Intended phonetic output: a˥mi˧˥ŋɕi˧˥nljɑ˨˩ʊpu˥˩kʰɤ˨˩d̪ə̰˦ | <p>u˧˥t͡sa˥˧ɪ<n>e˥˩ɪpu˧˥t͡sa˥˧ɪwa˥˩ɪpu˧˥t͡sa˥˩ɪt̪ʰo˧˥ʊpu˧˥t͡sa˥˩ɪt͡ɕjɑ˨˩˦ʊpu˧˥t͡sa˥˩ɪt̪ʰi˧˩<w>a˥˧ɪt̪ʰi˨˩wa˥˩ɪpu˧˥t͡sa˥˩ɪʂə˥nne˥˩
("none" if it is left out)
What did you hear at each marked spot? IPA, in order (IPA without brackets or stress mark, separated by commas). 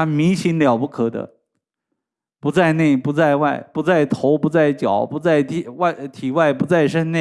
p, n, w